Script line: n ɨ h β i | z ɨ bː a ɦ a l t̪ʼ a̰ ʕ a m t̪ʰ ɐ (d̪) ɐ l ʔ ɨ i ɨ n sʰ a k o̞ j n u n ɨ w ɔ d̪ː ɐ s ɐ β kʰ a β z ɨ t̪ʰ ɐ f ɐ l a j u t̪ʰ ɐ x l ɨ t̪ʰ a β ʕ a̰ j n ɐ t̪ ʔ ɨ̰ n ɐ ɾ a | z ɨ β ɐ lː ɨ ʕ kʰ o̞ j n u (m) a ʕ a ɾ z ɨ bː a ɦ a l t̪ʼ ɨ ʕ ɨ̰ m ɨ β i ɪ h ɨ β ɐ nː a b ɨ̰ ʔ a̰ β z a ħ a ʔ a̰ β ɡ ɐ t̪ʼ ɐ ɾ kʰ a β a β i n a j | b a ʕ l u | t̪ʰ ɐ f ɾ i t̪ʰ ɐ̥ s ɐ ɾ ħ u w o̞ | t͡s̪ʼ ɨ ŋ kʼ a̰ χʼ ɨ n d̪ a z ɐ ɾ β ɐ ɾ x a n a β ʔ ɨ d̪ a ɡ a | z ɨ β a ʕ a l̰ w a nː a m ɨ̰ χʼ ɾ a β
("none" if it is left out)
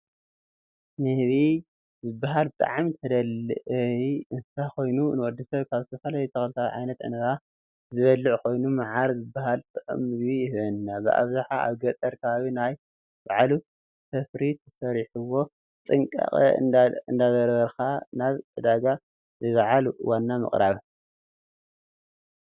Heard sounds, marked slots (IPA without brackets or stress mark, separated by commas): d̪, m